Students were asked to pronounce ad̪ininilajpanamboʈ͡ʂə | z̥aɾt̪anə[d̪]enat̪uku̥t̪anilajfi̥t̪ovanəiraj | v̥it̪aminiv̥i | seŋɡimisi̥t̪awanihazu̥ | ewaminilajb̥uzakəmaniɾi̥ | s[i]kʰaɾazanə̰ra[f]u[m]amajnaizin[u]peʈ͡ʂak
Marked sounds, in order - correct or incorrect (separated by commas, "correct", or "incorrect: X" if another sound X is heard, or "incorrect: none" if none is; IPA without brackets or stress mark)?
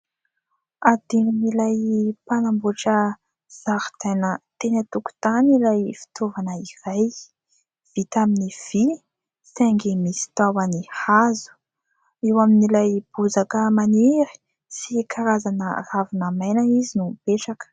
incorrect: t̪, correct, incorrect: v, incorrect: n, correct